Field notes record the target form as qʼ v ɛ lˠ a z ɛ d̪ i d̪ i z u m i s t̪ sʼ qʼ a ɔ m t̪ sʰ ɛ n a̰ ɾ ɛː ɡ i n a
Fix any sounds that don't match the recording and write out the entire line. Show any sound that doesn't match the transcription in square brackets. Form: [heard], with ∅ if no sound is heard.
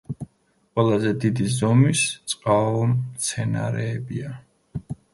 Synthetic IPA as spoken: qʼ [w] ɛ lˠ a z ɛ d̪ i d̪ i z [ɔ] m i s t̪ sʼ qʼ a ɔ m t̪ sʰ ɛ n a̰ ɾ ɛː [b] i [∅] a